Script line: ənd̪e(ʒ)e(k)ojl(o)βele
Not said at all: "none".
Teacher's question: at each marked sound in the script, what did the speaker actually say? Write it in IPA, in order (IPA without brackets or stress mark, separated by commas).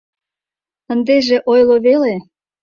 ʒ, ʔ, o